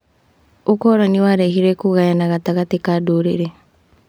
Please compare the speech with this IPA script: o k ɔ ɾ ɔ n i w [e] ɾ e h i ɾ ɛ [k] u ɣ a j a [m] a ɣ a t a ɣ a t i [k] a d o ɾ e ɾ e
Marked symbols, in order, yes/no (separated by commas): no, yes, no, yes